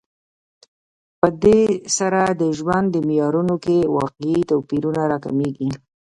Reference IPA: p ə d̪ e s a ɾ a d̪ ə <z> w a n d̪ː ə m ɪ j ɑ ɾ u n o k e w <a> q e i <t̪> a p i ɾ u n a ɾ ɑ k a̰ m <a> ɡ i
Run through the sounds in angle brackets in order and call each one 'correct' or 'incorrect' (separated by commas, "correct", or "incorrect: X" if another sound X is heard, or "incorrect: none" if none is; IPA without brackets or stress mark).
incorrect: ʒ, incorrect: ɑ, correct, incorrect: e